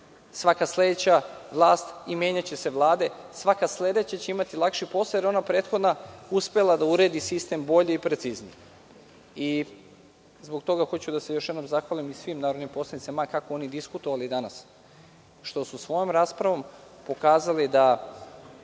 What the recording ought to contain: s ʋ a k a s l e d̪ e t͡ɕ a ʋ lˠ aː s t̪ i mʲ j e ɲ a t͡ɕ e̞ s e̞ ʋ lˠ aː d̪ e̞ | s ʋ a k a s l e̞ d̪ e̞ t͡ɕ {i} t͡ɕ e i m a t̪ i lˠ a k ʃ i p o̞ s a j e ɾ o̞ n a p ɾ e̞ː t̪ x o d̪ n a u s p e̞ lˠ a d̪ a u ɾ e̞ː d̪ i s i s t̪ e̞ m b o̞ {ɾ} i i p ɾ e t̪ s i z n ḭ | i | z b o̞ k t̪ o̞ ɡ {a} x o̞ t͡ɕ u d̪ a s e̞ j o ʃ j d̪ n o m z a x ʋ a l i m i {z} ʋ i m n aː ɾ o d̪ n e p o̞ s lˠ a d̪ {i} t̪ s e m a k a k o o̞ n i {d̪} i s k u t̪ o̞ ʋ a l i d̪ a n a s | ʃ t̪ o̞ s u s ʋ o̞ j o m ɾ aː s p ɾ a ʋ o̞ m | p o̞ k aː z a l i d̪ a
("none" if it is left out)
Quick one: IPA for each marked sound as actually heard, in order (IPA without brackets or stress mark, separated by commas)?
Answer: a, ʎ, a, s, i, d̪